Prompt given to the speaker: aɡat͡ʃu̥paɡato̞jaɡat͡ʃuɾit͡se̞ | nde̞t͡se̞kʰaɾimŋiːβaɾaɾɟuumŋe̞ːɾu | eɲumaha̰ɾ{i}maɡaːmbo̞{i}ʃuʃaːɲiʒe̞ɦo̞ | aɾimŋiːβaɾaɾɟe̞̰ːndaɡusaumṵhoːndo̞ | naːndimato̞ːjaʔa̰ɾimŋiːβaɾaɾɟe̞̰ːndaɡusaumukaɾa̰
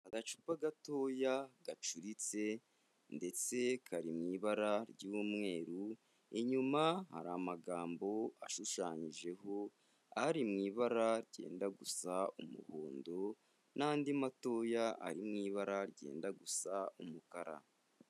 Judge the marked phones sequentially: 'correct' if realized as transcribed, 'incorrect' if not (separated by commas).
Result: incorrect, incorrect